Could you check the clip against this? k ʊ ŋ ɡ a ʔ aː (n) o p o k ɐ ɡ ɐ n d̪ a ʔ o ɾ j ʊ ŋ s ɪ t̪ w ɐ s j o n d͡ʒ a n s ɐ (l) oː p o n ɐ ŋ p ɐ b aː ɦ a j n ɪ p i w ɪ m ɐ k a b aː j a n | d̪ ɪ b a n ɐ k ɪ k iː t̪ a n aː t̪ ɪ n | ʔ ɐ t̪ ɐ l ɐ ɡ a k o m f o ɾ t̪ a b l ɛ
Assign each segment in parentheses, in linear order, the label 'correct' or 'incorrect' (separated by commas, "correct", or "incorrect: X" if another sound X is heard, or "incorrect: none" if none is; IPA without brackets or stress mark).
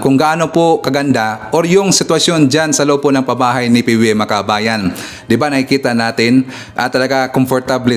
correct, correct